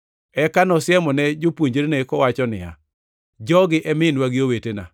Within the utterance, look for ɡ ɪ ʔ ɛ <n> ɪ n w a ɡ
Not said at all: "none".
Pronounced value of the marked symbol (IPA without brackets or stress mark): m